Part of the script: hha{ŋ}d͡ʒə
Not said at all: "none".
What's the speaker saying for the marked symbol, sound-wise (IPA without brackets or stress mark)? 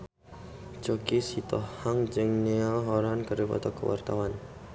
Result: ŋ